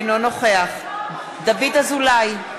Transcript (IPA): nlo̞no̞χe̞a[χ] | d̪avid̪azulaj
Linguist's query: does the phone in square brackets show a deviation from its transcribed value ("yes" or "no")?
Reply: no